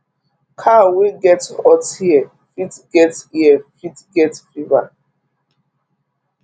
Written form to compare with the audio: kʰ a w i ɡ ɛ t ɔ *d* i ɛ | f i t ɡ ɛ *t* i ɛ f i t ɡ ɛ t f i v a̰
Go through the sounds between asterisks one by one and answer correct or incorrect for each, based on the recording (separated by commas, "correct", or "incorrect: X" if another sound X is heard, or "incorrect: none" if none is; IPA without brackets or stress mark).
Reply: incorrect: t, correct